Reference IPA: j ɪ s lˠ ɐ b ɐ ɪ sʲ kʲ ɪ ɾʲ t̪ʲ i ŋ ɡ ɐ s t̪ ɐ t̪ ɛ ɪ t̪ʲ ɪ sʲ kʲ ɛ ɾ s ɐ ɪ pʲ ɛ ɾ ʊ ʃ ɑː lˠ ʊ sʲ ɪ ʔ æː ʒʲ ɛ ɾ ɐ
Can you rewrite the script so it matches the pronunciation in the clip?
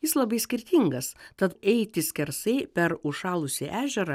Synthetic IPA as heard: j ɪ s lˠ ɐ b ɐ ɪ sʲ kʲ ɪ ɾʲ t̪ʲ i ŋ ɡ ɐ s t̪ ɐ t̪ ɛ ɪ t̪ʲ ɪ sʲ kʲ ɛ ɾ s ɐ ɪ pʲ ɛ ɾ ʊ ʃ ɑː lˠ ʊ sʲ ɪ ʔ æː ʒʲ ɛ ɾ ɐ